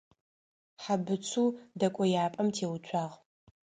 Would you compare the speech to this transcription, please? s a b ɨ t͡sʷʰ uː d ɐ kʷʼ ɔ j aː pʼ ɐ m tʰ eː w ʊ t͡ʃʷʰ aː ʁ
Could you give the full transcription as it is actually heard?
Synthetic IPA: ħ a b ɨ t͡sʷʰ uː d ɐ kʷʼ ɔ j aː pʼ ɐ m tʰ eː w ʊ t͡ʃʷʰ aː ʁ

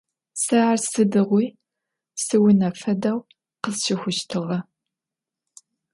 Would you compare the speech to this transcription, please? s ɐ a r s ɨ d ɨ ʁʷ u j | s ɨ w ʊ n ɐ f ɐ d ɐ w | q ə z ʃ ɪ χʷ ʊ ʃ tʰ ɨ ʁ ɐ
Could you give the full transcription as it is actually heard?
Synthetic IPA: s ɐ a r s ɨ d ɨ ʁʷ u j | s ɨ w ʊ n ɐ f ɐ d ɐ w | q ə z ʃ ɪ xʷ ʊ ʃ tʰ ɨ ʁ ɐ

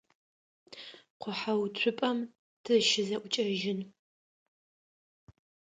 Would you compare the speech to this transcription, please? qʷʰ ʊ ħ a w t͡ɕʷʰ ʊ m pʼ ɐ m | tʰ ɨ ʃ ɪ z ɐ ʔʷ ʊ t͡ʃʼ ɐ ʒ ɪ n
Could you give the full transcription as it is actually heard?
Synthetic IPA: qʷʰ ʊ ħ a w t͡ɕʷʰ ʊ pʼ ɐ m | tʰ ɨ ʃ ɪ z ɐ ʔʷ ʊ t͡ʃʼ ɐ ʒ ɪ n

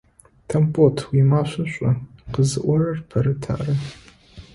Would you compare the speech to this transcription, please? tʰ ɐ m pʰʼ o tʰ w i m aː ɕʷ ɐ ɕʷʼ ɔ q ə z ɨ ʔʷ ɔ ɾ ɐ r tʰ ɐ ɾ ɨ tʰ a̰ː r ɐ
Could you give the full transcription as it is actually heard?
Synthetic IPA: tʰ ɐ m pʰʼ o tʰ w i m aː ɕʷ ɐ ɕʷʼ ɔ q ə z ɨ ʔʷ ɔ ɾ ɐ r pʰ ɐ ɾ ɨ tʰ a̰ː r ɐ

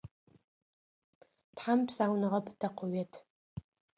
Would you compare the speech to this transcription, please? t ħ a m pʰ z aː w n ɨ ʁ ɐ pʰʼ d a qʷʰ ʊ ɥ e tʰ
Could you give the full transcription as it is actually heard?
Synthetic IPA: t ħ a m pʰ s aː w n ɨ ʁ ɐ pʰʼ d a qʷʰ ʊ ɥ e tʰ

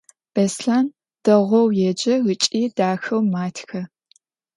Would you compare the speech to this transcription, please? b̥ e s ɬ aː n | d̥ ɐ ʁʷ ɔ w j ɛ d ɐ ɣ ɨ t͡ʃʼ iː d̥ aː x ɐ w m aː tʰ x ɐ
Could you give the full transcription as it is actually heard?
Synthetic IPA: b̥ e s ɬ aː n | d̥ ɐ ʁʷ ɔ w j ɛ d͡ʒ ɐ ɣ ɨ t͡ʃʼ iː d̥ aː x ɐ w m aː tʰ x ɐ

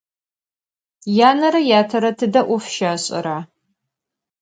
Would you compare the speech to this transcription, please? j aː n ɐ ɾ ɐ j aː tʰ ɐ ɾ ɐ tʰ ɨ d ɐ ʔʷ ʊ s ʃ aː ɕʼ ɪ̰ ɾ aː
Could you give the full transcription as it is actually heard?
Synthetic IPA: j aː n ɐ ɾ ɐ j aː tʰ ɐ ɾ ɐ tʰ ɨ d ɐ ʔʷ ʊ f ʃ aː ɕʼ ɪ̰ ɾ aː

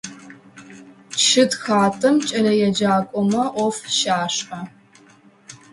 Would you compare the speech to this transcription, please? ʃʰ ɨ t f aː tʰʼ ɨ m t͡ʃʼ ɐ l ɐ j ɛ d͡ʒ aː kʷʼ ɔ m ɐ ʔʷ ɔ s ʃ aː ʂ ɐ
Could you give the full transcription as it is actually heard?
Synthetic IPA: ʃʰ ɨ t x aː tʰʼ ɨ m t͡ʃʼ ɐ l ɐ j ɛ d͡ʒ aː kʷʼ ɔ m ɐ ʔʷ ɔ f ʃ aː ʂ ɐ

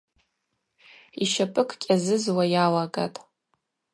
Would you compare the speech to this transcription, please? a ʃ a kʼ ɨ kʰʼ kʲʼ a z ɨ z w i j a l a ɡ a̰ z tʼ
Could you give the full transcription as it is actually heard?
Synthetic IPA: i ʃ a pʼ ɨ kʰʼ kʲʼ a z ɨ z w a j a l a ɡ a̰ tʼ

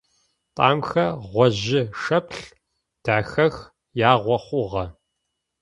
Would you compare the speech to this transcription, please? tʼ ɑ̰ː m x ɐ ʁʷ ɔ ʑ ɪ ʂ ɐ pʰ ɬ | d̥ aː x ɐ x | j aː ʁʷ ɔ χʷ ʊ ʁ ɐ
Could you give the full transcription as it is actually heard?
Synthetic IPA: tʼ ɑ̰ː m x ɐ ʁʷ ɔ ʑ ɪ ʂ ɐ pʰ ɬ | d̥ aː x ɐ x | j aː ʁʷ ɔ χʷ ʊ ʁ ɐ

